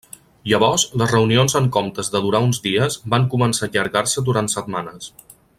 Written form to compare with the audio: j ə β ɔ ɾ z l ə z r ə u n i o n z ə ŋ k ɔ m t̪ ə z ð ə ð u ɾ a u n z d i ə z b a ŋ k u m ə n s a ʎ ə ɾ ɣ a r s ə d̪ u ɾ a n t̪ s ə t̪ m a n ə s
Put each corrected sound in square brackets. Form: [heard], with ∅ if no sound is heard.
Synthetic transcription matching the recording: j ə β ɔ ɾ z l ə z r ə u n i o n z ə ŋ k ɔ m t̪ ə z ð ə ð u ɾ a u n z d i ə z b a ŋ k u m ə n s a ʎ ə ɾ ɣ a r s ə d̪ u ɾ a n t̪ s ə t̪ m a n ə s